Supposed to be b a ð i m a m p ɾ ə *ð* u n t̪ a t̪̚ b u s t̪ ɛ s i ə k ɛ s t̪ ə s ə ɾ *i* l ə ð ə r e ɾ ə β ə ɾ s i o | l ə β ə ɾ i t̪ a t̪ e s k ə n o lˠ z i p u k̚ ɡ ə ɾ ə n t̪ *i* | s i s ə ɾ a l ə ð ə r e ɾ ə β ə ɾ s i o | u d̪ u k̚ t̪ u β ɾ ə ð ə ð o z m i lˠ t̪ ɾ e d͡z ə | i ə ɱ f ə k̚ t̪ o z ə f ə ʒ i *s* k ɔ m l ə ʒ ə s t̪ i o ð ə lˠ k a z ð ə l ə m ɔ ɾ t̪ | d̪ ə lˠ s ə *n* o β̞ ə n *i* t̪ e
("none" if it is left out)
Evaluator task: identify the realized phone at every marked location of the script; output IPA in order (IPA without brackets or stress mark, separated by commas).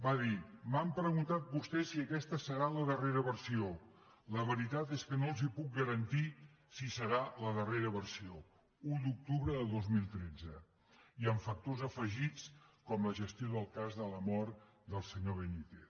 ɣ, a, i, t͡s, ɲ, i